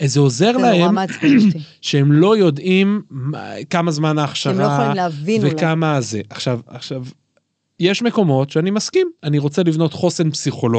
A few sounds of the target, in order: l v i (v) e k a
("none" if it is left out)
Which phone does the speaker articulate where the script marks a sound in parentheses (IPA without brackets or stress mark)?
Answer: v